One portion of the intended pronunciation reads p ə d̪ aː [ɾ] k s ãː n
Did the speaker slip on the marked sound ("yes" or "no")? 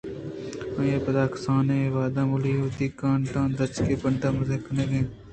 yes